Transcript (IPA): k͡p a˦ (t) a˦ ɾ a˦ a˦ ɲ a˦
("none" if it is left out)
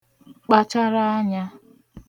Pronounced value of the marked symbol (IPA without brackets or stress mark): t͡ʃ